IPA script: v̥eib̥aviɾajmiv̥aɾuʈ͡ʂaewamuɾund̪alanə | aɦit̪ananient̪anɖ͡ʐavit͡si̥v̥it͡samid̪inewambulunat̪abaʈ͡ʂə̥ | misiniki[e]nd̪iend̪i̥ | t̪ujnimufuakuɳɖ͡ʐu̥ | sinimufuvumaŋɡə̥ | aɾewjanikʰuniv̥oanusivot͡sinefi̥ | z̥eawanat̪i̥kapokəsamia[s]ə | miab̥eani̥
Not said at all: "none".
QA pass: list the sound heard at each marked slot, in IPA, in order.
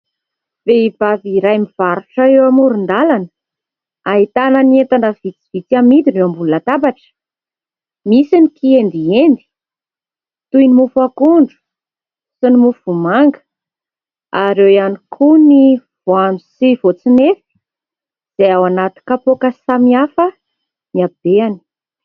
e, f

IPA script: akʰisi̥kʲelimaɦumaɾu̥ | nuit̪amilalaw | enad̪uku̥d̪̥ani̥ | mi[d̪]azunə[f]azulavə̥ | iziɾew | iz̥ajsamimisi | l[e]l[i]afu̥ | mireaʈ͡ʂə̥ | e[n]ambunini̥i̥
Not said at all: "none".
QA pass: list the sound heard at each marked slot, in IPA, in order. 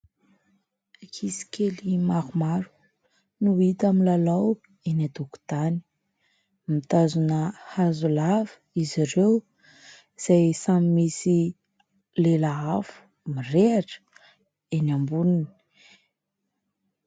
t̪, h, e, a, n

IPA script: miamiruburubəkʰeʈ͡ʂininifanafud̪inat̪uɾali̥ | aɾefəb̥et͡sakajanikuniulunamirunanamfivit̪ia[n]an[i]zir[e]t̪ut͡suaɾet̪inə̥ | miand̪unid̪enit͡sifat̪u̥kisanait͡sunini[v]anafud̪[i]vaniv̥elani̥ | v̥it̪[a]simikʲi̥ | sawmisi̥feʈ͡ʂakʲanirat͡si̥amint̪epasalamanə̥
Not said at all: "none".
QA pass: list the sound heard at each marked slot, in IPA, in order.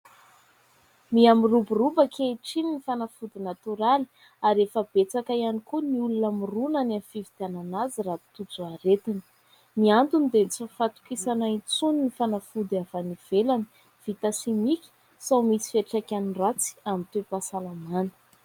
n, a, a, f, a, a

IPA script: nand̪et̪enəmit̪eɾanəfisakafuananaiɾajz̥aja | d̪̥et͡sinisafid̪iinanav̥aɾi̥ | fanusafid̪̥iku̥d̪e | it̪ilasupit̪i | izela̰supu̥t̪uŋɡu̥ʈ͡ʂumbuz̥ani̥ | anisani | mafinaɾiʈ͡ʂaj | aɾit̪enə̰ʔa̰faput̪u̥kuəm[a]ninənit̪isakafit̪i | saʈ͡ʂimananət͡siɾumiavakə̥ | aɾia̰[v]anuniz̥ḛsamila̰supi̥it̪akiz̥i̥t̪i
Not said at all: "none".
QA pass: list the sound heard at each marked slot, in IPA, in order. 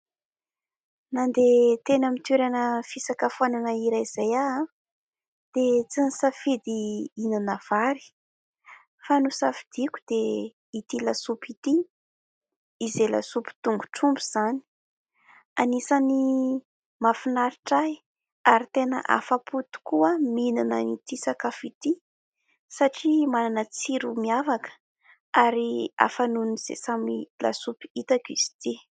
i, f

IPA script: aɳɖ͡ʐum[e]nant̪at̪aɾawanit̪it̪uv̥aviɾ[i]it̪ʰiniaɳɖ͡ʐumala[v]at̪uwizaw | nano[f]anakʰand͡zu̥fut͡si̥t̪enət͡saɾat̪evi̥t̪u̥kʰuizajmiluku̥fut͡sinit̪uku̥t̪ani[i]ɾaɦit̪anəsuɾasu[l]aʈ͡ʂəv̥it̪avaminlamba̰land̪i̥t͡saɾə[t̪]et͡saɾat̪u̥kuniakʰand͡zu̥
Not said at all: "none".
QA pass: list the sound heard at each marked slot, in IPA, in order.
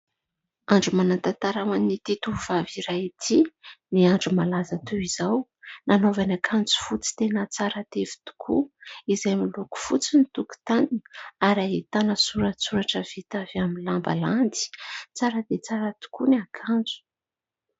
a, a, z, v, a, ɾ, d̪

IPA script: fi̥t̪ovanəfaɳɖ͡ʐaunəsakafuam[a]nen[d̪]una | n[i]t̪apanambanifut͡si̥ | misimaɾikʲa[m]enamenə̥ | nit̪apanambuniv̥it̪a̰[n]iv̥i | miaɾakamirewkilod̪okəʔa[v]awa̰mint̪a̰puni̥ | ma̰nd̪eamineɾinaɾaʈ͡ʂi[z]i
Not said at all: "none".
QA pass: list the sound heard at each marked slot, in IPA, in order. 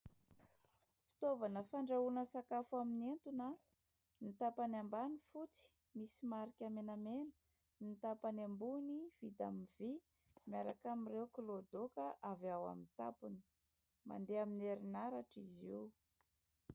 i, t̪, i, m, m, v, z

